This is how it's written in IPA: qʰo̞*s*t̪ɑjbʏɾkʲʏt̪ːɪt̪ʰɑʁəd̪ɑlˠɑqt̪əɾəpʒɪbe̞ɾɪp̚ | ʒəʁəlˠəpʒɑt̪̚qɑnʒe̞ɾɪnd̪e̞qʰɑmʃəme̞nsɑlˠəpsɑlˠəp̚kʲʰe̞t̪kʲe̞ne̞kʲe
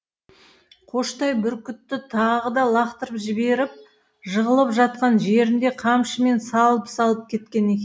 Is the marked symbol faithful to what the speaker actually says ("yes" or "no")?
no